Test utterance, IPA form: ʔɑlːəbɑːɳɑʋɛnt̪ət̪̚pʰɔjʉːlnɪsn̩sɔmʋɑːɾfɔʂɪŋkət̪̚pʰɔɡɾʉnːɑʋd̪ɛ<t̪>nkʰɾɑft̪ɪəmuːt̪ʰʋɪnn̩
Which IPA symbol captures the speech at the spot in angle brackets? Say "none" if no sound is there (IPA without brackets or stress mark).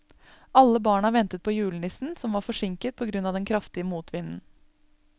none